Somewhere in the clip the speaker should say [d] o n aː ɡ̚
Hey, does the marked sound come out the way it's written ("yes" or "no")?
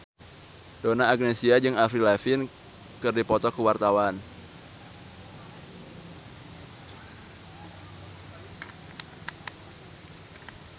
yes